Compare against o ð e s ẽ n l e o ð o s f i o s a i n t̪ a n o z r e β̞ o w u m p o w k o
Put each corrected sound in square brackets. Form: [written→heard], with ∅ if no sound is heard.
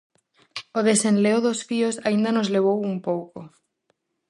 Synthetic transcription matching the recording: o ð e s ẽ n l e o ð o s f i o s a i n [t̪→d̪] a n o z [r→l] e β̞ o w u m p o w k o